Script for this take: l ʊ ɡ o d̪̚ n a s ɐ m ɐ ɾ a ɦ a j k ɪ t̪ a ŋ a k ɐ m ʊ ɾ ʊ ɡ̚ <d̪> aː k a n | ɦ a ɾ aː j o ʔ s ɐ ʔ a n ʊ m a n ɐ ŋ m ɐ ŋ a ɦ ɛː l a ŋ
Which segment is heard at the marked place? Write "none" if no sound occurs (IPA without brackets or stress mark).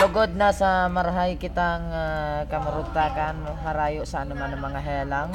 t̪